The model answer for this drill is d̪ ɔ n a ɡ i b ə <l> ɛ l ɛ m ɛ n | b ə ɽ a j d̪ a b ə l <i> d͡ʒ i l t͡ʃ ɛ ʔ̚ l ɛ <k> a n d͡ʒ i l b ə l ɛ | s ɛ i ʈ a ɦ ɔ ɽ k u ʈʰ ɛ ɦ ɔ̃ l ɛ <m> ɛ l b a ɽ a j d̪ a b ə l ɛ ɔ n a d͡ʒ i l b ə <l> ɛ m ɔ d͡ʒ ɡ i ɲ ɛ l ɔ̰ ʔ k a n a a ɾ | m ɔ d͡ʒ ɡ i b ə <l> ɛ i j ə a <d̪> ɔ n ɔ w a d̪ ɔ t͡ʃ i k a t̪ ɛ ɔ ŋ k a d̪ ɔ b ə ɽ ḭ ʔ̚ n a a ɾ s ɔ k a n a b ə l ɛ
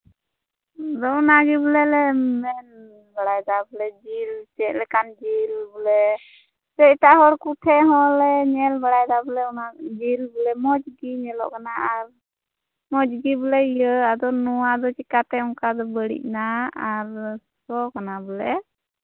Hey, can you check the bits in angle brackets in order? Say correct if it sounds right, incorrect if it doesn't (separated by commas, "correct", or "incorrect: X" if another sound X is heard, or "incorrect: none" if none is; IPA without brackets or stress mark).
correct, incorrect: ɛ, correct, incorrect: ɲ, correct, correct, correct